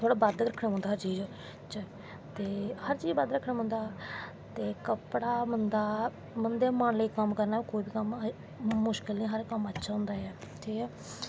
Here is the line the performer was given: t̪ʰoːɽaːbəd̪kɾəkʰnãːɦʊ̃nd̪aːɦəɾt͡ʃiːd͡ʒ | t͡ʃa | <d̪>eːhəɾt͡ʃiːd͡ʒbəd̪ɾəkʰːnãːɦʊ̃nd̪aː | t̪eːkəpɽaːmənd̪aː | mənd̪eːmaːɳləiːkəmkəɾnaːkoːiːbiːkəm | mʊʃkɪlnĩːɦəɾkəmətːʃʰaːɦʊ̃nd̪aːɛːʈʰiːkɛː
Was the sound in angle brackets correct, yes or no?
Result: no